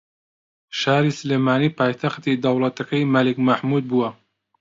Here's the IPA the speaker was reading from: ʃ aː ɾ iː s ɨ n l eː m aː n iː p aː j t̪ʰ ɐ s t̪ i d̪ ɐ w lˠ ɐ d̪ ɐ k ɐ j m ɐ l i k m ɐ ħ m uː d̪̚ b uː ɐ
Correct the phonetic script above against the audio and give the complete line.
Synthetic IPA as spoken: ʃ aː ɾ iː s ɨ l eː m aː n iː p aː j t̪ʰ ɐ x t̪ i d̪ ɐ w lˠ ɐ t̪ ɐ k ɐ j m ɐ l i k m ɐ ħ m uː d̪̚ b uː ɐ